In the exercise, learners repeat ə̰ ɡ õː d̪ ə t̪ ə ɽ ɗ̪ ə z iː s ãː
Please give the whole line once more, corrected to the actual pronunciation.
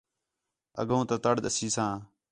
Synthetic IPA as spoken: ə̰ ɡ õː t̪ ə t̪ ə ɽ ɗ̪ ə s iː s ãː